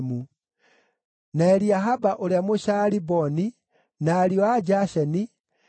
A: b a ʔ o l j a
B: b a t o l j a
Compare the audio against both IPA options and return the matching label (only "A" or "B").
A